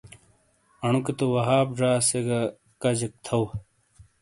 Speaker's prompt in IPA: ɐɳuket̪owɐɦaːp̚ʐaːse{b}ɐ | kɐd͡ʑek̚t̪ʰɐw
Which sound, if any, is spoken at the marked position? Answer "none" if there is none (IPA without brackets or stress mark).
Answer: ɡ